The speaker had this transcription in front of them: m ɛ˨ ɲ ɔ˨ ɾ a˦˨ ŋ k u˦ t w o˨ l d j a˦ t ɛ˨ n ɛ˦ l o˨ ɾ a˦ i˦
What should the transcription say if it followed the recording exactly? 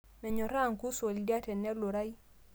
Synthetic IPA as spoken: m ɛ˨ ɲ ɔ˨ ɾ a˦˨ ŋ k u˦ s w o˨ l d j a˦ t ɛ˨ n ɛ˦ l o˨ ɾ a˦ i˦